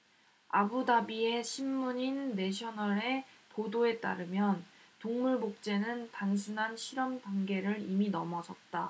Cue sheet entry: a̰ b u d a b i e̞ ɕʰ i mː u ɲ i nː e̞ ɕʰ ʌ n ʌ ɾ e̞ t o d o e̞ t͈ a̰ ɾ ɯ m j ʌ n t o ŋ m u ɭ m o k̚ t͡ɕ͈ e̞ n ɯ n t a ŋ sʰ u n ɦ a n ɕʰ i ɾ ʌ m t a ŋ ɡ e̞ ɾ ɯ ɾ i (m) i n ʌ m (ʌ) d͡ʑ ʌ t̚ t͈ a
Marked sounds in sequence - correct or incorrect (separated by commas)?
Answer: correct, correct